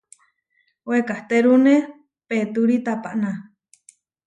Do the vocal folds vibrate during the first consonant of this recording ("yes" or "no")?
yes